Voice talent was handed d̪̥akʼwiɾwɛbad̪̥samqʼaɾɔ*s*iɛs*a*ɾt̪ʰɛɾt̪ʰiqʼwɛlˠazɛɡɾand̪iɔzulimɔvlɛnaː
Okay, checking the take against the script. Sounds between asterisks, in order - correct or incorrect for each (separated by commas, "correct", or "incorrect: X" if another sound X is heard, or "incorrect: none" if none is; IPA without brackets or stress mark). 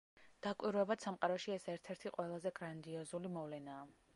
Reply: incorrect: ʃ, incorrect: ɛ